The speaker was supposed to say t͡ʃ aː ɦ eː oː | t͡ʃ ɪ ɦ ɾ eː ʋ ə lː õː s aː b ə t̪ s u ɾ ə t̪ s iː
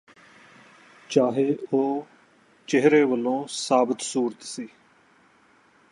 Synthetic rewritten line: t͡ʃ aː ɦ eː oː | t͡ʃ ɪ ɦ ɾ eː ʋ ə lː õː s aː b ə t̪ s uː ɾ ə t̪ s iː